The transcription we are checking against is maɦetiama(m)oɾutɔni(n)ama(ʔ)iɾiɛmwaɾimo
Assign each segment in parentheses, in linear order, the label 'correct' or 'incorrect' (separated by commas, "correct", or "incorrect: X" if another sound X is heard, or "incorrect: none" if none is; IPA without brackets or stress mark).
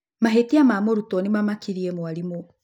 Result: correct, incorrect: m, incorrect: k